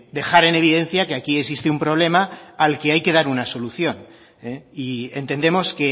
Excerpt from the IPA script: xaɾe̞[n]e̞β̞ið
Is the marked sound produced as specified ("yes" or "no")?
yes